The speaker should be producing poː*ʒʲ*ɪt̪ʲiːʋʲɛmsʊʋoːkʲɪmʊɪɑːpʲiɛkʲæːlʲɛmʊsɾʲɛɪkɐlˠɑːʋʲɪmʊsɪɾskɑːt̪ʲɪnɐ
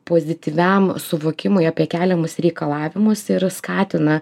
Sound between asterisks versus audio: incorrect: zʲ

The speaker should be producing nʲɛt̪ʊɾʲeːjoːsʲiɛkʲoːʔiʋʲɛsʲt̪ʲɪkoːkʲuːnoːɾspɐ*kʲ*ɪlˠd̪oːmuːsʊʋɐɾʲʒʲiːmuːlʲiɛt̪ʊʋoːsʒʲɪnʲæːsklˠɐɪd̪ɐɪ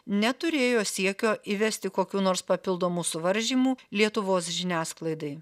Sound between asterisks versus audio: incorrect: pʲ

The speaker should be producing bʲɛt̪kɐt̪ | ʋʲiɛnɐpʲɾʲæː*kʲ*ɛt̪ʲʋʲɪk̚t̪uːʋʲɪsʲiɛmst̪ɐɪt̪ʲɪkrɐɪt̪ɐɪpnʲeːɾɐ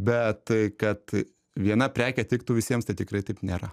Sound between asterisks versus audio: correct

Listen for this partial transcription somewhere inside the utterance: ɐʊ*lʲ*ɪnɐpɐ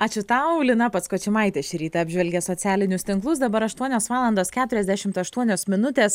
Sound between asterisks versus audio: correct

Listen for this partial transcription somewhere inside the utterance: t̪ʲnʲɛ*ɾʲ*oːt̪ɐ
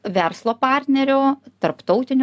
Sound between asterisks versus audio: correct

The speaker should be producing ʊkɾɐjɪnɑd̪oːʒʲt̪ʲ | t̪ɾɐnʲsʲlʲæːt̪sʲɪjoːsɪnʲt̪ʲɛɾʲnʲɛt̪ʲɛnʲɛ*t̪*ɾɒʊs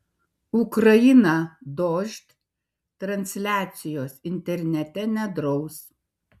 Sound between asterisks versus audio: incorrect: d̪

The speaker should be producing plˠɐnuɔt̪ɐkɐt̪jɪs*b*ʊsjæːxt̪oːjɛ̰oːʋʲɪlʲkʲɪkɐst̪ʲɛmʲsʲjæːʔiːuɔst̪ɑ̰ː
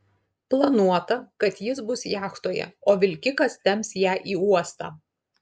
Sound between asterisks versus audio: correct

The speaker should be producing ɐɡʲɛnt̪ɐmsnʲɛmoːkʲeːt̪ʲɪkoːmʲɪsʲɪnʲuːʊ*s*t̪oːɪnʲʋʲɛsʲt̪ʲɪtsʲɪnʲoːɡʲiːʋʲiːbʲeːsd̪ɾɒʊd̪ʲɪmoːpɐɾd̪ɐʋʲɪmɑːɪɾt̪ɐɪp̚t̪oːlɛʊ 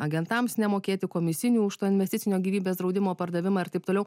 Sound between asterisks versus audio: incorrect: ʃ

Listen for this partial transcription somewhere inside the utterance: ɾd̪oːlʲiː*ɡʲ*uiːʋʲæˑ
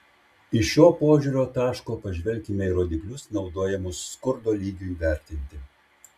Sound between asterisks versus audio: correct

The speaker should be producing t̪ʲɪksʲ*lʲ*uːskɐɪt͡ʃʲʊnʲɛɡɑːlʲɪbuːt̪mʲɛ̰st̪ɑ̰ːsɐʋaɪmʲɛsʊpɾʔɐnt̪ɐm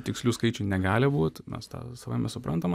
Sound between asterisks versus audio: correct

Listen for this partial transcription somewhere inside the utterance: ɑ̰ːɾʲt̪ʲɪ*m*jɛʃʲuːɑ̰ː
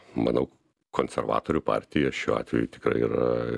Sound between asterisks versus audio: incorrect: none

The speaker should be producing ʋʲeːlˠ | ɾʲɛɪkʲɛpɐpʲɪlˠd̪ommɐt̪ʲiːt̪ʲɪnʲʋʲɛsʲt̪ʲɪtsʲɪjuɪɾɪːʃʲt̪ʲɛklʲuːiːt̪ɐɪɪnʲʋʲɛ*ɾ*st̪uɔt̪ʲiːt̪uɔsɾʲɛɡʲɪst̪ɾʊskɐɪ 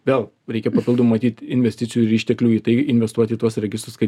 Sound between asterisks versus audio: incorrect: none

